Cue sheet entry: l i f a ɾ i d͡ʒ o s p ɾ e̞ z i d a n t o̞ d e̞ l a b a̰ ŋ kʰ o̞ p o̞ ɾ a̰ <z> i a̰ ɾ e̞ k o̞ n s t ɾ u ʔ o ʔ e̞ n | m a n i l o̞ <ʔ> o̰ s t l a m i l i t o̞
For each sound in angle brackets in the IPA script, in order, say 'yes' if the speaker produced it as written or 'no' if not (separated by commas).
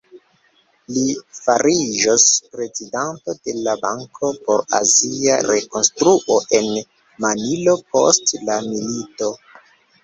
yes, no